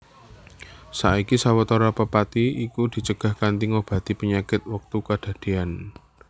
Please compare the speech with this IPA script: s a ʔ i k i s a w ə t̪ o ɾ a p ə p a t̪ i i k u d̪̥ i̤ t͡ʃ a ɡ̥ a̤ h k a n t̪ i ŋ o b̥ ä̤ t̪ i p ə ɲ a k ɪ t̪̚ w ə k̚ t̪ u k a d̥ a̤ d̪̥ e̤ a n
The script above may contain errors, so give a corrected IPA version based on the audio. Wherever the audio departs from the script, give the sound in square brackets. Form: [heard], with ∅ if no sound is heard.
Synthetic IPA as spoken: s a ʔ i k i s a w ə t̪ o ɾ a p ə p a t̪ i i k u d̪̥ i̤ t͡ʃ [ə] ɡ̥ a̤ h k a n t̪ i ŋ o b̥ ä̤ t̪ i p ə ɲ a k ɪ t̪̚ w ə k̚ t̪ u k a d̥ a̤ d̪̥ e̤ a n